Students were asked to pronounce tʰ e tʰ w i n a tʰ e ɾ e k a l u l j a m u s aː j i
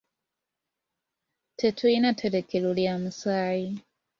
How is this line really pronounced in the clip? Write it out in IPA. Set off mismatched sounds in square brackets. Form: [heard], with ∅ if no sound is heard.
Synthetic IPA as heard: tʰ e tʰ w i n a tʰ e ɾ e k [e] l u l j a m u s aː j i